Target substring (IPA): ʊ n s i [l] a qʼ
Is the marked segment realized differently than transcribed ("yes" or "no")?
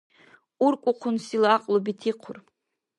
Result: no